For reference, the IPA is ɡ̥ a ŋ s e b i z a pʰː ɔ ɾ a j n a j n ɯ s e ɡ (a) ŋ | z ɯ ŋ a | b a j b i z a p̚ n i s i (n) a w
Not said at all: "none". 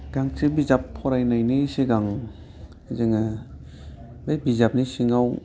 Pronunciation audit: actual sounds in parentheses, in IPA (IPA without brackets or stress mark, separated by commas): a, ŋ